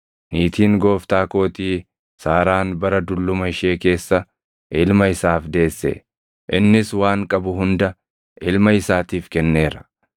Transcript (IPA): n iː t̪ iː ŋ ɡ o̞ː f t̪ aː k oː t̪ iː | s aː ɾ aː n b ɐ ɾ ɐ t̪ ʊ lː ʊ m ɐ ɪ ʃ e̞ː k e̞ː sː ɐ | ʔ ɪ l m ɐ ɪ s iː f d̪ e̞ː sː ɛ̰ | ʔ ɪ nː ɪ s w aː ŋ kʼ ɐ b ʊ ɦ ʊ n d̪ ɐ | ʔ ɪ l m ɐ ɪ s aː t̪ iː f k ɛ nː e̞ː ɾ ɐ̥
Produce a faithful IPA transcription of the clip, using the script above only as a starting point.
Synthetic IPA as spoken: n iː t̪ iː ŋ ɡ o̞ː f t̪ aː k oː t̪ iː | s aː ɾ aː n b ɐ ɾ ɐ d̪ ʊ lː ʊ m ɐ ɪ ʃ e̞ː k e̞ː sː ɐ | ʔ ɪ l m ɐ ɪ s aː f d̪ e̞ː sː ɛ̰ | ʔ ɪ nː ɪ s w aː ŋ kʼ ɐ b ʊ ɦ ʊ n d̪ ɐ | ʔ ɪ l m ɐ ɪ s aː t̪ iː f k ɛ nː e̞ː ɾ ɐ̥